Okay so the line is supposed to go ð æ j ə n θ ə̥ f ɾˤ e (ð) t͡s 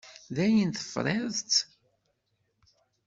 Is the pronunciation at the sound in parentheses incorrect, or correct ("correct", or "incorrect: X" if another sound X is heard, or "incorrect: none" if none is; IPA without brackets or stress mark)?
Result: correct